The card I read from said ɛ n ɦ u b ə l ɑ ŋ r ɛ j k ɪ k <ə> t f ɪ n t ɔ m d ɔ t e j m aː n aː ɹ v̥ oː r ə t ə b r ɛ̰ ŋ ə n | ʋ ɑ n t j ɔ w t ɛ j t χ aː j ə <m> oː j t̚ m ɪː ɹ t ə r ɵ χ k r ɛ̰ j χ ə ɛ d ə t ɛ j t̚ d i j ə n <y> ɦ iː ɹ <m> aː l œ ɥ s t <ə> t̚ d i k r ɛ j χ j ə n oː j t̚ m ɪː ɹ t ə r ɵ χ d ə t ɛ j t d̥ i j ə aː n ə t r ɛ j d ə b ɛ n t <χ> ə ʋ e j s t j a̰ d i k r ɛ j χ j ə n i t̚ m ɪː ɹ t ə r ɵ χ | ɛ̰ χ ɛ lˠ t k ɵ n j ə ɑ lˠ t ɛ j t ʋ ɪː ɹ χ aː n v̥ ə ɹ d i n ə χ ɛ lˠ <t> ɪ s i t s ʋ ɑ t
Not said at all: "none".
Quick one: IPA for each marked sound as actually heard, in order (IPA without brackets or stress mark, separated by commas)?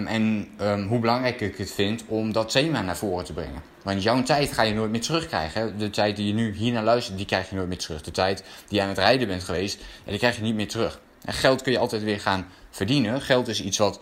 ə, n, y, n, ə, χ, t